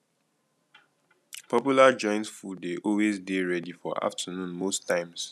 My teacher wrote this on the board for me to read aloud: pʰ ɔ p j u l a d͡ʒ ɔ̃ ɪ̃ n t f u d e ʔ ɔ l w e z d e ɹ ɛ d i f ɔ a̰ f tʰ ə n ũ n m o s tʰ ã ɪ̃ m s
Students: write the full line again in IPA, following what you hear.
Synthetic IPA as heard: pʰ ɔ p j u l a d͡ʒ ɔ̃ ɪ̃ n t f u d e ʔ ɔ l w e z d e ɹ ɛ d i f ɔ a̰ f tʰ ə n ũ n m o s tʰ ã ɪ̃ m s